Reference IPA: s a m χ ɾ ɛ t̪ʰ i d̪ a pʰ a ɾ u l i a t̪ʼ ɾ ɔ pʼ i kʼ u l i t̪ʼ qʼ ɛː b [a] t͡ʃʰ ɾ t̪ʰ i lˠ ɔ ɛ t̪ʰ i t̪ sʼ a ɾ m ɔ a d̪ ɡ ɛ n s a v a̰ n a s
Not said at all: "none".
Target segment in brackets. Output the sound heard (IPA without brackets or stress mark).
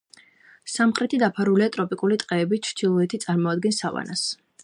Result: i